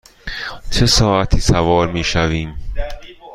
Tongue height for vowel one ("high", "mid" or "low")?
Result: mid